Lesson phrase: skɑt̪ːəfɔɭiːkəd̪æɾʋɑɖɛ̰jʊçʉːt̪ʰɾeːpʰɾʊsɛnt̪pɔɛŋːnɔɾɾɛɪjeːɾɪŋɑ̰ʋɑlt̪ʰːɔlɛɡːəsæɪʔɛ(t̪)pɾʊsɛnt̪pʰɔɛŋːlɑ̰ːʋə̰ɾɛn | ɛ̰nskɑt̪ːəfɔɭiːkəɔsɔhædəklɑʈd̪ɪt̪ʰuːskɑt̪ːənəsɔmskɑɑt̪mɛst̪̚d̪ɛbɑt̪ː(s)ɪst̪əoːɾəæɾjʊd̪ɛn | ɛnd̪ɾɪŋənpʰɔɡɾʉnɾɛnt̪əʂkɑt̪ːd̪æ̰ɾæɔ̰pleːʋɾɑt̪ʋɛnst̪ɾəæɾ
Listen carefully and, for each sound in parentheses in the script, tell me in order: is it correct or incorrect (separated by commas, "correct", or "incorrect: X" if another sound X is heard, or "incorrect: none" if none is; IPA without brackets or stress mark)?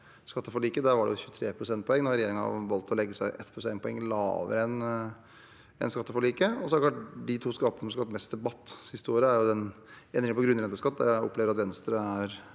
correct, correct